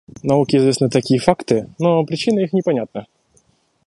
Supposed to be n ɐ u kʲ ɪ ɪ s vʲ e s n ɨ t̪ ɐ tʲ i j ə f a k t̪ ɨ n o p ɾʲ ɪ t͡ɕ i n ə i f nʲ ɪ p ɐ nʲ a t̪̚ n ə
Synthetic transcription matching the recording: n ɐ u kʲ ɪ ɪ z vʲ e s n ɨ t̪ ɐ kʲ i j ə f a k t̪ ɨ n o p ɾʲ ɪ t͡ɕ i n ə i x nʲ ɪ p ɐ nʲ a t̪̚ n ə